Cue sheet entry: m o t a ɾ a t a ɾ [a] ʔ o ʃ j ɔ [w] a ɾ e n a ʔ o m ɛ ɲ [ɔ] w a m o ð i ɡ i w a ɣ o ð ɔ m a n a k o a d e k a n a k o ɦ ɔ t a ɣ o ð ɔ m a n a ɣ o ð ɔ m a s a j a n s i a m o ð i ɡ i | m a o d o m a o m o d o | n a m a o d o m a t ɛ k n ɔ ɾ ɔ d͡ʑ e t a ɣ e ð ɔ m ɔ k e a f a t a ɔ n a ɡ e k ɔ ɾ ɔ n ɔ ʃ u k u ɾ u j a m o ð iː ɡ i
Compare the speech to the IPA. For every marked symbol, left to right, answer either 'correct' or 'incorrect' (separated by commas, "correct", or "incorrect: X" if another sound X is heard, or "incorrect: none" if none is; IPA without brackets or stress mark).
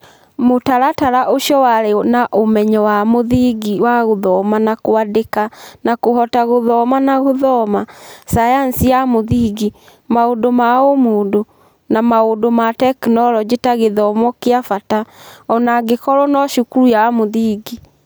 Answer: correct, correct, correct